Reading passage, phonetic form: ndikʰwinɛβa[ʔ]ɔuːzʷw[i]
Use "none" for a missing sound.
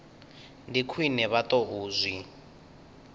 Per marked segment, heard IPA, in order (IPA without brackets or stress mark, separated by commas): t, i